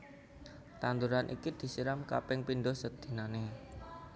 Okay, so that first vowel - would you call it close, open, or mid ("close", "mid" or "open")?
open